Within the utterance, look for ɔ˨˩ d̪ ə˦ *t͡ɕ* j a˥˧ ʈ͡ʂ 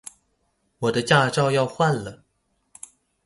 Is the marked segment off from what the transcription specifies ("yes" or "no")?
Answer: no